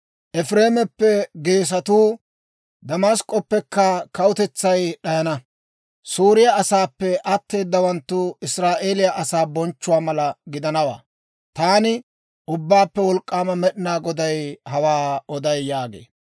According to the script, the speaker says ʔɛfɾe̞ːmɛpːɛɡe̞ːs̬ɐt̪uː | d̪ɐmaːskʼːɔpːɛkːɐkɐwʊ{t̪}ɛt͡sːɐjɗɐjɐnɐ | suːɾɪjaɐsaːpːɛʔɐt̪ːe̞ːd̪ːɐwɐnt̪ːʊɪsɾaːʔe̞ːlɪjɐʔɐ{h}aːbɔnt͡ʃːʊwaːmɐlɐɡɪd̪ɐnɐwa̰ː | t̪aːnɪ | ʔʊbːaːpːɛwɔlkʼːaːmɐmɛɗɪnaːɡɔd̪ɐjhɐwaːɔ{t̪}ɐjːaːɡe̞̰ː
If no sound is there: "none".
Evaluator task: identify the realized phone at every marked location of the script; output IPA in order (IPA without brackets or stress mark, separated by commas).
t̪, s, d̪